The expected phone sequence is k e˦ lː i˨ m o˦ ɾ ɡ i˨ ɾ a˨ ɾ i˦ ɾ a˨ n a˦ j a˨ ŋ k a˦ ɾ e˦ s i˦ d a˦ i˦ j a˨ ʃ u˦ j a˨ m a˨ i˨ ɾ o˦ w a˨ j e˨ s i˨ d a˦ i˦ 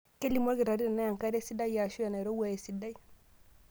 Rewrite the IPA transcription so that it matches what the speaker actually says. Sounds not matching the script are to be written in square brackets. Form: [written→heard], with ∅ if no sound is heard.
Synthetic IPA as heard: k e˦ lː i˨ m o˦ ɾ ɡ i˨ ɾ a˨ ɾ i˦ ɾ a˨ n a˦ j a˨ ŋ k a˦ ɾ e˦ s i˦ d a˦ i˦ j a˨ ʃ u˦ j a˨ [m→n] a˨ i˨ ɾ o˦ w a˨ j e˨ s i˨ d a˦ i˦